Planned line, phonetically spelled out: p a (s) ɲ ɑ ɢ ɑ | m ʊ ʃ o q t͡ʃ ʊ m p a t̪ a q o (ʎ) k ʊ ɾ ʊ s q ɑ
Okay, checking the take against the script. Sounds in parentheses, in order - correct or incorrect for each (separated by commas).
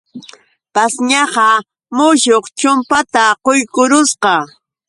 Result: correct, incorrect